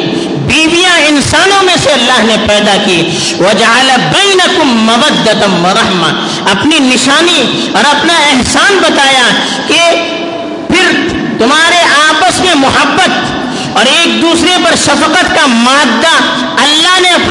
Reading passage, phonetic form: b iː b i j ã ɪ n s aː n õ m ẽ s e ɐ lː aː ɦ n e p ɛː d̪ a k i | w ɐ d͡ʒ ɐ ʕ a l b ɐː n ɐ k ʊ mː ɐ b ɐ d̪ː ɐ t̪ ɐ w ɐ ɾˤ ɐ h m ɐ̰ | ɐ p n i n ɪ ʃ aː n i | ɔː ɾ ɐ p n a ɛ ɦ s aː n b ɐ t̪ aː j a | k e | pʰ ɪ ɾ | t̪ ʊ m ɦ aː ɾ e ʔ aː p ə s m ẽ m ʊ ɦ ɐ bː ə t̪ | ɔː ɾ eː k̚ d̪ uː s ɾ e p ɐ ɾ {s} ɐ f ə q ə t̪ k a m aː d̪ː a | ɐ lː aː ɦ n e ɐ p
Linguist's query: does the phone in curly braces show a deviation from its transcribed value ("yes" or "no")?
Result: yes